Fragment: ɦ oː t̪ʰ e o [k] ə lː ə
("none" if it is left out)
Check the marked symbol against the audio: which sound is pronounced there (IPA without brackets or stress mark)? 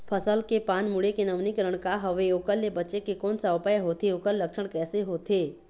k